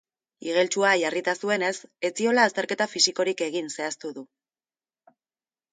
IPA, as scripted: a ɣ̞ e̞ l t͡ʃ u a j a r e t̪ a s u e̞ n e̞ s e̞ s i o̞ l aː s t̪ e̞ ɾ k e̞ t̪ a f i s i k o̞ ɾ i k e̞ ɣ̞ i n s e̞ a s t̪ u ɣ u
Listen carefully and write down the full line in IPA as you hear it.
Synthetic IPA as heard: i ɣ̞ e̞ l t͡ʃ u a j a r i t̪ a s u e̞ n e̞ s e̞ t͡s i o̞ l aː s t̪ e̞ ɾ k e̞ t̪ a f i s i k o̞ ɾ i k e̞ ɣ̞ i n s e̞ a s t̪ u ð u

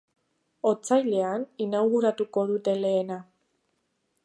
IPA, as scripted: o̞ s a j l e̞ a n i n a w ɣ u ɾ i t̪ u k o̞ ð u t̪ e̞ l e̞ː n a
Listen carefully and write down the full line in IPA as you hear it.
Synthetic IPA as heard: o̞ t͡s a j l e̞ a n i n a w ɣ u ɾ a t̪ u k o̞ ð u t̪ e̞ l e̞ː n a

